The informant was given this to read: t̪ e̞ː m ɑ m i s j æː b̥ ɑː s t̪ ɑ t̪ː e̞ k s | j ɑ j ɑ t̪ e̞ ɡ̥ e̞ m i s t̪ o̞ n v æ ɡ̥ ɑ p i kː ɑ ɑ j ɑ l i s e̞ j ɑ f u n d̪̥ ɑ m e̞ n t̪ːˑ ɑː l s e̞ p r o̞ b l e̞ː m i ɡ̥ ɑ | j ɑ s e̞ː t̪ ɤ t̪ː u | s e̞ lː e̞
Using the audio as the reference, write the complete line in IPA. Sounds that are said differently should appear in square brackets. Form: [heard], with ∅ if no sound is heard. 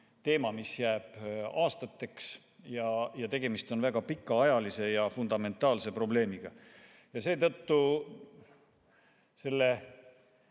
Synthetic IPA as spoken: t̪ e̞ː m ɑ m i s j æː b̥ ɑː s t̪ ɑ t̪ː e̞ k s | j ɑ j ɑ t̪ e̞ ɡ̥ e̞ m i s t̪ o̞ n v æ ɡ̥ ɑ p i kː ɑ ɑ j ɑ l i s e̞ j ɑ f u n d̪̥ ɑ m e̞ n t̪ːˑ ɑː l s e̞ p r o̞ b l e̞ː m i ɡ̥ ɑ | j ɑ s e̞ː t̪ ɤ t̪ː u | s e̞ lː e̞

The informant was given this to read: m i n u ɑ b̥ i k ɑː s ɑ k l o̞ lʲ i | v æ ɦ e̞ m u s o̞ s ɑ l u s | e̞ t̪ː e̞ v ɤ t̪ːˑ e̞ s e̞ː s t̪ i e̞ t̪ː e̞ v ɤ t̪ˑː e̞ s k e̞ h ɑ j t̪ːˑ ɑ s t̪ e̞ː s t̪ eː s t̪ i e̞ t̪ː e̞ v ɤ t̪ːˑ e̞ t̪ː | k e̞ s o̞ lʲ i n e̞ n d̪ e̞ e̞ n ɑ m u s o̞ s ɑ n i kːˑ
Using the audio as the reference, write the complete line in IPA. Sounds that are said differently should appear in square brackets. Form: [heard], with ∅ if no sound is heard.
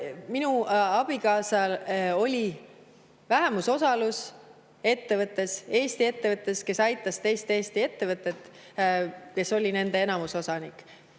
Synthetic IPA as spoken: m i n u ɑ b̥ i k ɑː s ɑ [∅] l o̞ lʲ i | v æ ɦ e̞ m u s o̞ s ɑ l u s | e̞ t̪ː e̞ v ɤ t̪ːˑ e̞ s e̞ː s t̪ i e̞ t̪ː e̞ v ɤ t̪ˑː e̞ s k e̞ [s] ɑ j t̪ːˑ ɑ s t̪ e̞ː s t̪ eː s t̪ i e̞ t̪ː e̞ v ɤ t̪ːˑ e̞ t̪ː | k e̞ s o̞ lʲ i n e̞ n d̪ e̞ e̞ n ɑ m u s o̞ s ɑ n i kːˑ

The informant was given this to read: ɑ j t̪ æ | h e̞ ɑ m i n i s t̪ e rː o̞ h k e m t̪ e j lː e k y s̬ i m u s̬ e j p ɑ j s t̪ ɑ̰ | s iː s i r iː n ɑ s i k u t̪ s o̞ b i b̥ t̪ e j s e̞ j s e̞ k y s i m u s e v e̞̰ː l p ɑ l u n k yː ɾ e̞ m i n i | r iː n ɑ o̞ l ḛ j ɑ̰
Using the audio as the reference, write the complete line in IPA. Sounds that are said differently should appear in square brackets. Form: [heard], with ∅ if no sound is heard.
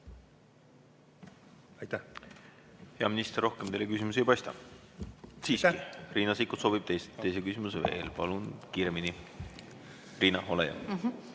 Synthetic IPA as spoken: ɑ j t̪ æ | h e̞ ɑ m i n i s t̪ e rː o̞ h k e m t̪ e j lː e k y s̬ i m u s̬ e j p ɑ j s t̪ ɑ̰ | s iː s i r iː n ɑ s i k u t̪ s o̞ b i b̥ t̪ e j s e̞ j s e̞ k y s i m u s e v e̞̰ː l p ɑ l u n k [iː] ɾ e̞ m i n i | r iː n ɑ o̞ l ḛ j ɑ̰

